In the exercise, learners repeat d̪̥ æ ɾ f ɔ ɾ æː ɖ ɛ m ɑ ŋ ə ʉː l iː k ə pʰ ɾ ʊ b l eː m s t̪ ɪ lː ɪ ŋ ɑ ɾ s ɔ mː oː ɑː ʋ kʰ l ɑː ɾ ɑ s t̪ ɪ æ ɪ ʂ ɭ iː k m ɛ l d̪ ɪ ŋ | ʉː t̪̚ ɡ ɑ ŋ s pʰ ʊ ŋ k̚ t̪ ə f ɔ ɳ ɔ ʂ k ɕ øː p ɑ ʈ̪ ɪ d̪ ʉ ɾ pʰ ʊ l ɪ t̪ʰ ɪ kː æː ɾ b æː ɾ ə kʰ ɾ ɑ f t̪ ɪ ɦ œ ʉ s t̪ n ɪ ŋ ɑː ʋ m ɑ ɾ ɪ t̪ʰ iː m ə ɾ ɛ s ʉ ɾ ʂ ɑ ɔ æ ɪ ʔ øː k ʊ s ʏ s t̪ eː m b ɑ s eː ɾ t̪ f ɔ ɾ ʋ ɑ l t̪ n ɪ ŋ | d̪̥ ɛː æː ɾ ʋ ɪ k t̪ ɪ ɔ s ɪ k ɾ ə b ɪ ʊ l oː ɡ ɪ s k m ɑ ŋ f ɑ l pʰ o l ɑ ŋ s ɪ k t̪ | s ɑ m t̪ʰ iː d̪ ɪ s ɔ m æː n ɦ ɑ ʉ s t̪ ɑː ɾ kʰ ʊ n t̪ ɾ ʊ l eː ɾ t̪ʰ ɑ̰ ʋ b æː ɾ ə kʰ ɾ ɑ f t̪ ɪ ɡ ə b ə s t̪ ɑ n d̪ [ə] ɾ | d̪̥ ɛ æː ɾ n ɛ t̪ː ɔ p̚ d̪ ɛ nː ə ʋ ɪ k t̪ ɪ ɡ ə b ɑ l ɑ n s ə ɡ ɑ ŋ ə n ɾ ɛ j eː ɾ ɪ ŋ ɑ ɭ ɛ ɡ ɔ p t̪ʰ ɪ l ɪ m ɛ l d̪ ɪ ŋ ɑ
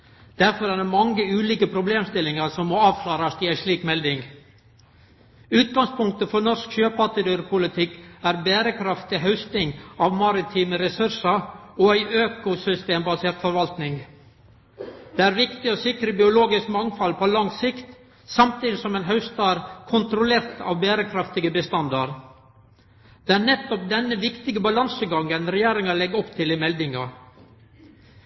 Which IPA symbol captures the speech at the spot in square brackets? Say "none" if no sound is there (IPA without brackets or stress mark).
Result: ɑ